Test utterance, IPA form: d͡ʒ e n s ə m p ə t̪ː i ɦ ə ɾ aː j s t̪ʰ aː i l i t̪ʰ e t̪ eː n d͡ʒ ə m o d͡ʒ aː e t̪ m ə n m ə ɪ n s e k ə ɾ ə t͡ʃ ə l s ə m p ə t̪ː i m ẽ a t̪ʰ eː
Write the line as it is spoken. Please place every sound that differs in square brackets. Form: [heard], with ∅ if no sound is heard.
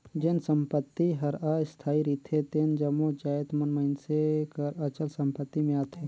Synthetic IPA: d͡ʒ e n s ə m p ə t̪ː i ɦ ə ɾ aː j s t̪ʰ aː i [ɾ] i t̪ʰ e t̪ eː n d͡ʒ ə m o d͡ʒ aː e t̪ m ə n m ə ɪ n s e k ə ɾ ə t͡ʃ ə l s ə m p ə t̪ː i m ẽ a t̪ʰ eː